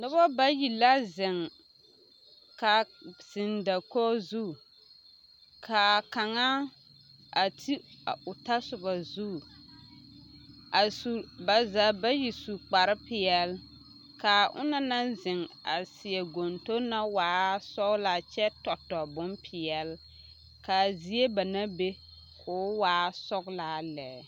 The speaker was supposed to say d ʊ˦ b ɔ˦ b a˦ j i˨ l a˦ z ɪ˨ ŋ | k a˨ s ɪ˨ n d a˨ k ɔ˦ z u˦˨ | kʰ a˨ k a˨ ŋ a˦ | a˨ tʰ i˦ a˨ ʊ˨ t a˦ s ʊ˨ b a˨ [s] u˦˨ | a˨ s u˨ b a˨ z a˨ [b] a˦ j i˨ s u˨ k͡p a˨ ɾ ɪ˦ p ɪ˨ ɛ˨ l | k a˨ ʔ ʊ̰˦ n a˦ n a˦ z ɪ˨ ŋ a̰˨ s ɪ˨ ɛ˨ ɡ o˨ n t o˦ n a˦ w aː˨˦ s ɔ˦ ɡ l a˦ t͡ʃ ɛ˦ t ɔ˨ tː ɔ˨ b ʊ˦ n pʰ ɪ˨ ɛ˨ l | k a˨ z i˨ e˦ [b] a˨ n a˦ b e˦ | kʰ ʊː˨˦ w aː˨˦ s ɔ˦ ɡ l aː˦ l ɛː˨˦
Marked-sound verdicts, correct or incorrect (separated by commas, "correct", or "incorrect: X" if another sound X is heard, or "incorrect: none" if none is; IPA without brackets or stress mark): incorrect: z, correct, correct